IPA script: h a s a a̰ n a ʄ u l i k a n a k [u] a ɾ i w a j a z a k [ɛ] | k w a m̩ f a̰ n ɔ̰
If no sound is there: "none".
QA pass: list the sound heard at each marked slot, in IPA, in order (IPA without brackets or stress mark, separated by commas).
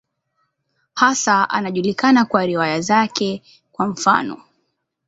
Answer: w, ɛ